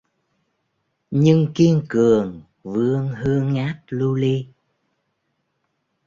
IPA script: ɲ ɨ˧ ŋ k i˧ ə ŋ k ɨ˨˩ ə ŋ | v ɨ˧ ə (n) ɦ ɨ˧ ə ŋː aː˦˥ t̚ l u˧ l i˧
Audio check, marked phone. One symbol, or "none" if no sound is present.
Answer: ŋ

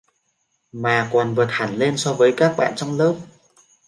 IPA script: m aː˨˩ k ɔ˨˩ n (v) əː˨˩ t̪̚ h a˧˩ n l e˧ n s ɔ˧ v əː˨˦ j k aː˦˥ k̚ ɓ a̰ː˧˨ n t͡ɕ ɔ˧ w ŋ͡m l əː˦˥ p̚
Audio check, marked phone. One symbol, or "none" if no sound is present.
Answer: v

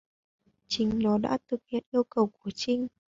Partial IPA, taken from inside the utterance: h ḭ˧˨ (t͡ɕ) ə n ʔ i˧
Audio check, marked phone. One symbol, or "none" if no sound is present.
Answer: none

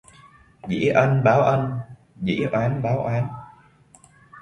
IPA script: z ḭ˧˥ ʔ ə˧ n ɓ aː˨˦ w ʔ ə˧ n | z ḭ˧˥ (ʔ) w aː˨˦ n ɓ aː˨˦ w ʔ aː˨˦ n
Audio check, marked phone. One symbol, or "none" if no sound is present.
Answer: ʔ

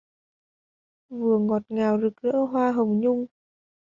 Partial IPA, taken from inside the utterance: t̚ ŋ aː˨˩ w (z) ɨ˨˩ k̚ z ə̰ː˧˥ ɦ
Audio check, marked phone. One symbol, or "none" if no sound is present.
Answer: z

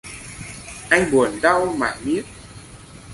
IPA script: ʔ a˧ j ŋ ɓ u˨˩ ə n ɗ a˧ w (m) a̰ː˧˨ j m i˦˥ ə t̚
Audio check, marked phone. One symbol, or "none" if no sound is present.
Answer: m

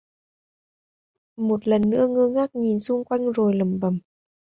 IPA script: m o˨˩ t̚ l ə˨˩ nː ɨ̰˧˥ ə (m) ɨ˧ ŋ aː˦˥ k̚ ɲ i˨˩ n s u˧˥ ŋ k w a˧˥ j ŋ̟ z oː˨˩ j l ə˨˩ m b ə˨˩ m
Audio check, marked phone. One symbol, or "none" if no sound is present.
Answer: ŋ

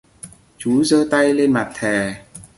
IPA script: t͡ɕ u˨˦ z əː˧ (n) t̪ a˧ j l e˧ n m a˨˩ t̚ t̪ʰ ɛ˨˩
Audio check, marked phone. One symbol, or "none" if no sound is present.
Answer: none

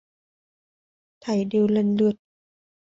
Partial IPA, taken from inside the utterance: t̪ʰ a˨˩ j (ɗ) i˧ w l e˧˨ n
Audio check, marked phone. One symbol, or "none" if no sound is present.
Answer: d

